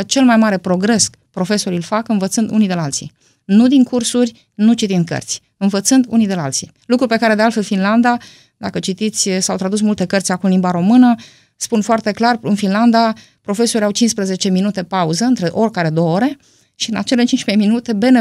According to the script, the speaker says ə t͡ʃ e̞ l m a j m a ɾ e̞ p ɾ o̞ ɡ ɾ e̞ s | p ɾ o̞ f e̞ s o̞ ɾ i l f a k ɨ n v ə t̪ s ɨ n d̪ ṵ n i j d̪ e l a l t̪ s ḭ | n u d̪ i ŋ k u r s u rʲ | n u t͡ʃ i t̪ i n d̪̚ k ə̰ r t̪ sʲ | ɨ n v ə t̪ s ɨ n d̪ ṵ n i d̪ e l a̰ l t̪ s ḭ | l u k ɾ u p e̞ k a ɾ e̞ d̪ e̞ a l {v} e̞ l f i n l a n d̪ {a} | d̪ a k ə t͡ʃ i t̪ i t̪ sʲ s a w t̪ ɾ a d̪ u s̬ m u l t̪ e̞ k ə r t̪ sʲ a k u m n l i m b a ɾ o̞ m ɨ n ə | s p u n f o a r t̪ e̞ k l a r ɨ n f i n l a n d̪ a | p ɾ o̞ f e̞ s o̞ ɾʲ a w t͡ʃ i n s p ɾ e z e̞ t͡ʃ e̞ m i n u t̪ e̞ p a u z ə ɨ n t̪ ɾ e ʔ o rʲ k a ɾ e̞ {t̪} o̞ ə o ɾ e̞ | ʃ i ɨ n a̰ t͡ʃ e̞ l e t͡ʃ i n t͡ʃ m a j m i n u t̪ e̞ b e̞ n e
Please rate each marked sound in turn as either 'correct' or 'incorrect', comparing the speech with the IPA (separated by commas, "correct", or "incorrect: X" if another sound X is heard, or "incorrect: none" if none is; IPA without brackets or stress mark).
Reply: incorrect: f, correct, incorrect: d̪